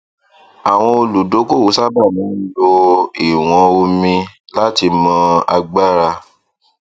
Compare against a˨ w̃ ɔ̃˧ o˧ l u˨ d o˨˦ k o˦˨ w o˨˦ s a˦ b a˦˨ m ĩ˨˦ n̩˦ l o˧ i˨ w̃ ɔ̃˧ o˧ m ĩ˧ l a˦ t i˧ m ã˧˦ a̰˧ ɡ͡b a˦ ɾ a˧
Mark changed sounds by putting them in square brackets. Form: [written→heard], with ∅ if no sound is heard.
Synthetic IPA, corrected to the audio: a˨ w̃ ɔ̃˧ o˧ l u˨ d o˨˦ k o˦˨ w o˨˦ s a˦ b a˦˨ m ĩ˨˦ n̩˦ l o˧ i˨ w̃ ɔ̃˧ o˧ m ĩ˧ l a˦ t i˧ m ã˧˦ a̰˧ ɡ͡b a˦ ɾ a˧